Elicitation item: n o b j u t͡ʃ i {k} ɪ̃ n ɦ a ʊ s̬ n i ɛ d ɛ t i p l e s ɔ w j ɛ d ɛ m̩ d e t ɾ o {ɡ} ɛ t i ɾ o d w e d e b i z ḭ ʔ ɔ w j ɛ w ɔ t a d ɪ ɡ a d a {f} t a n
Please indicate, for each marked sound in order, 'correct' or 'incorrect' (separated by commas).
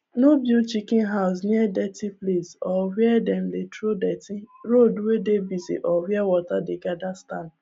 correct, incorrect, incorrect